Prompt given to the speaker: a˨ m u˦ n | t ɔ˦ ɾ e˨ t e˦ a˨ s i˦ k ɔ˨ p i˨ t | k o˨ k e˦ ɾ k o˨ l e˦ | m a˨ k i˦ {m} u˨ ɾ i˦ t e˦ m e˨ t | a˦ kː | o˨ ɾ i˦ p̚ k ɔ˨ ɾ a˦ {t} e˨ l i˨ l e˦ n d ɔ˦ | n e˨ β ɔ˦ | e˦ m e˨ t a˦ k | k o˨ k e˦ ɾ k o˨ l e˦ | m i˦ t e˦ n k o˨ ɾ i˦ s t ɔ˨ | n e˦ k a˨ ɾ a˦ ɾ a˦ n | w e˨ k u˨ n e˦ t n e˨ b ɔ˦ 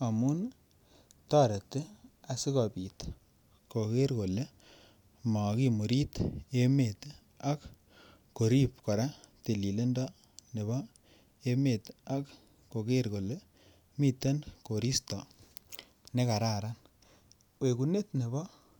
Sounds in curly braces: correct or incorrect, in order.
correct, correct

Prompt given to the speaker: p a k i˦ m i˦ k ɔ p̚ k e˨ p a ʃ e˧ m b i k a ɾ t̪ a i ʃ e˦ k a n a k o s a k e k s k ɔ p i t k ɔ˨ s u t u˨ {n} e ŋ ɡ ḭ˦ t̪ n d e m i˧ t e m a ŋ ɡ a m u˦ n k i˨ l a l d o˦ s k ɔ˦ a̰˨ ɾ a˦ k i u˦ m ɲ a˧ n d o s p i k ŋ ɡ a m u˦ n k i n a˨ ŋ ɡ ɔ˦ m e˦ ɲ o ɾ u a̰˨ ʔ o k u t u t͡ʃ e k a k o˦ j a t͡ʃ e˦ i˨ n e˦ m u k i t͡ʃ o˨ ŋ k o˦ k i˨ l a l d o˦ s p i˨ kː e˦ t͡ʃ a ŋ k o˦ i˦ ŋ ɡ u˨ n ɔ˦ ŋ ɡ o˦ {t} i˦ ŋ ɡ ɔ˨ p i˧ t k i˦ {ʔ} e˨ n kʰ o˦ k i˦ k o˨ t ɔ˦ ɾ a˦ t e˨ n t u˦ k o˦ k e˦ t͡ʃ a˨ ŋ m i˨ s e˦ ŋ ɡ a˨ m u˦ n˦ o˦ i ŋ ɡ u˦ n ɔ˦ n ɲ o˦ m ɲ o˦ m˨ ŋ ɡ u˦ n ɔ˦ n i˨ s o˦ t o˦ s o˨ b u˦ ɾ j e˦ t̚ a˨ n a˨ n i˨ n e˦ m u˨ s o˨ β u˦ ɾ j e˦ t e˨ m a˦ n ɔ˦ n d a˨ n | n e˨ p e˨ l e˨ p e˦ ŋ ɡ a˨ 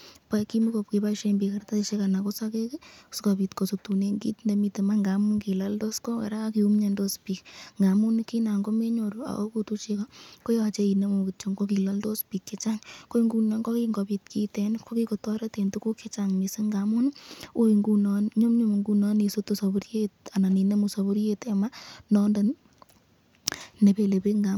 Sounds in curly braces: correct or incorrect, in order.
correct, incorrect: k, incorrect: t

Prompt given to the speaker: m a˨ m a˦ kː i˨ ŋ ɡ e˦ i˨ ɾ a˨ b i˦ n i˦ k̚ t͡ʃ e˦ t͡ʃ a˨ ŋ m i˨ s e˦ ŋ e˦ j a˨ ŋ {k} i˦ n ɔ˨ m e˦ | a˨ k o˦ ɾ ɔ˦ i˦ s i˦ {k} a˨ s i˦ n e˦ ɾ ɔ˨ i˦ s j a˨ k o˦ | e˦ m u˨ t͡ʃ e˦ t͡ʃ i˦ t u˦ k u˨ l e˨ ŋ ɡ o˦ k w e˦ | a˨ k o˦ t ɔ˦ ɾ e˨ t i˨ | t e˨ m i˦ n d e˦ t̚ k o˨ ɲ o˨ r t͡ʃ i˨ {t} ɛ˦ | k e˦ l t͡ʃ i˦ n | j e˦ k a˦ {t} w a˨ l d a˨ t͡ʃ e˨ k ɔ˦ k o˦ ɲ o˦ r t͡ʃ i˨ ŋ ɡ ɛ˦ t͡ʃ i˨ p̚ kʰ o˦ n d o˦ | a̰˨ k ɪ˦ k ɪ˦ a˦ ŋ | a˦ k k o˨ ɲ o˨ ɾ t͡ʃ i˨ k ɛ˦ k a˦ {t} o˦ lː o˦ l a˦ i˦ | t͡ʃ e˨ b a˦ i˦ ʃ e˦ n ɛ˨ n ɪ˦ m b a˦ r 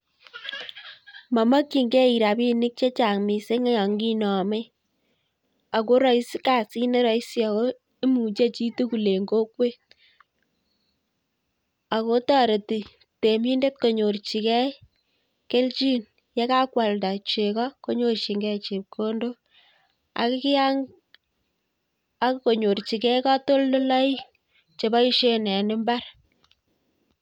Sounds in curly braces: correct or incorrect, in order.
incorrect: ɡ, correct, incorrect: k, incorrect: k, correct

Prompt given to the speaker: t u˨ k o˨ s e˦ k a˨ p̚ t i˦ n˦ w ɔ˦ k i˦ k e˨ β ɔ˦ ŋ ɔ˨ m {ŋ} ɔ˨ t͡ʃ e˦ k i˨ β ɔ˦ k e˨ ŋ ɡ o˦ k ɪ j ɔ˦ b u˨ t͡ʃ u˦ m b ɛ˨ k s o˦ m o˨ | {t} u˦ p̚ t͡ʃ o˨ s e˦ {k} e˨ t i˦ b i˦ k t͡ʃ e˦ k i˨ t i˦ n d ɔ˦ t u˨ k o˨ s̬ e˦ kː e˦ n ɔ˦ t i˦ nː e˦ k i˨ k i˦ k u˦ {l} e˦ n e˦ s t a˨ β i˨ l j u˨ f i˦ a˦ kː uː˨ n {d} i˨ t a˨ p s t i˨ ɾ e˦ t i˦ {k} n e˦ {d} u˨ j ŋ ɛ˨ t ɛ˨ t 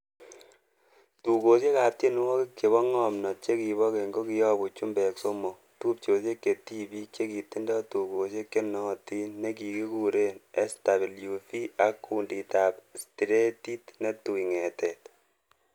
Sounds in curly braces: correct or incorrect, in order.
incorrect: n, correct, correct, incorrect: ɾ, correct, incorrect: t, incorrect: t

